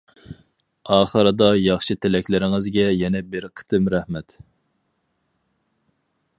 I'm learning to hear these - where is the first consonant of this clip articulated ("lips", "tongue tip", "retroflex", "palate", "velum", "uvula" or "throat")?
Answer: uvula